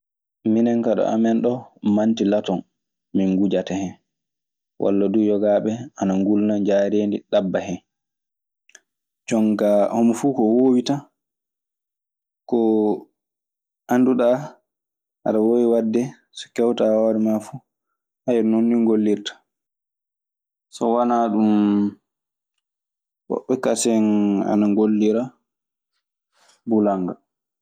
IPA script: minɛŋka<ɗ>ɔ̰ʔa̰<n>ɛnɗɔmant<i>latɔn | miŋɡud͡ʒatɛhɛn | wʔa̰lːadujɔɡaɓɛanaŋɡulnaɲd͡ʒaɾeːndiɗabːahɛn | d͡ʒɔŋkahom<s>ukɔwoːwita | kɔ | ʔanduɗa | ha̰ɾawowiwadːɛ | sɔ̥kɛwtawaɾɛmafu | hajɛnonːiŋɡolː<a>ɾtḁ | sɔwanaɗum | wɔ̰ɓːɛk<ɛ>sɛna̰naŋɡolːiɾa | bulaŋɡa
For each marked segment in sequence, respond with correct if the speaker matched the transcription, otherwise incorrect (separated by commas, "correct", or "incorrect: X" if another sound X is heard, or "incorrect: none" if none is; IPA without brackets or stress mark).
correct, incorrect: m, correct, incorrect: f, incorrect: i, incorrect: a